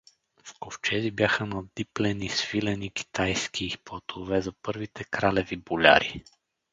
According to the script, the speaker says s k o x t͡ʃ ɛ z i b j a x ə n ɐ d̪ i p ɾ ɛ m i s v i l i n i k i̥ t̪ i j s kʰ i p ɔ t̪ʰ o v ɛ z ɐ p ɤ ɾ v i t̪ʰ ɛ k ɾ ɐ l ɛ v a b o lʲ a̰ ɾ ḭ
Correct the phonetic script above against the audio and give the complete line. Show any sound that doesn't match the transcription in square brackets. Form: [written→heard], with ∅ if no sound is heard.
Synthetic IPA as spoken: [s→f] k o [x→f] t͡ʃ ɛ z i b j a x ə n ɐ d̪ i p [ɾ→l] ɛ [m→n] i s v i l [i→ɛ] n i k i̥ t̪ [i→a] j s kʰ i p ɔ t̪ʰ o v ɛ z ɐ p ɤ ɾ v i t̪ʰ ɛ k ɾ [ɐ→a] l ɛ v [a→i] b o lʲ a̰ ɾ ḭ